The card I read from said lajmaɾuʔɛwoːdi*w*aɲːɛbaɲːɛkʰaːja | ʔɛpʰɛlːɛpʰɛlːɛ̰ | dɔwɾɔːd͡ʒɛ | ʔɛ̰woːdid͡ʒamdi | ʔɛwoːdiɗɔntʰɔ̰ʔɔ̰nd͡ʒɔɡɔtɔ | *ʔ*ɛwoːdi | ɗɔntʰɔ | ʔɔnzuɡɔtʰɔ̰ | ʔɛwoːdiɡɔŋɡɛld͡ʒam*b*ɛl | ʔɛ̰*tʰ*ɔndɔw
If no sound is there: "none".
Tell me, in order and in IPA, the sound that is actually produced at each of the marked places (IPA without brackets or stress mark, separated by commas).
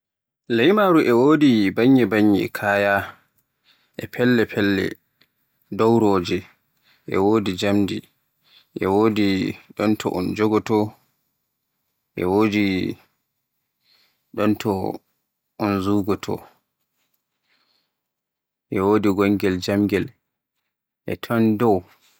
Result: b, ʔ, ɡ, tʰ